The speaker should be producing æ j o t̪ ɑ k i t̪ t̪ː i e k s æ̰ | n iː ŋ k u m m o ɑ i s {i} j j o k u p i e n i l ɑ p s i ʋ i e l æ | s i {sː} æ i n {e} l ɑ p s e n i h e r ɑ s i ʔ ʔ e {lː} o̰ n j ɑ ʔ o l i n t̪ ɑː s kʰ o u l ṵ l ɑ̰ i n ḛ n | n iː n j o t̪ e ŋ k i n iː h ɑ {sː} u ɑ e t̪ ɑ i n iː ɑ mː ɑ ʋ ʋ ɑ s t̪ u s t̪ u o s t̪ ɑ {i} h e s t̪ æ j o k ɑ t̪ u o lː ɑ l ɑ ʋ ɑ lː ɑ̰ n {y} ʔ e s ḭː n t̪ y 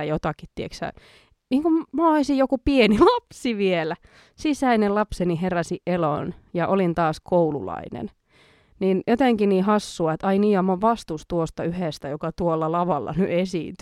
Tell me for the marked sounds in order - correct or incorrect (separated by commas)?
correct, incorrect, correct, incorrect, correct, incorrect, correct